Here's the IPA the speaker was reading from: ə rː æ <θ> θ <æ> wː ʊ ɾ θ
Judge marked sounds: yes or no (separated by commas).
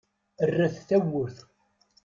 yes, yes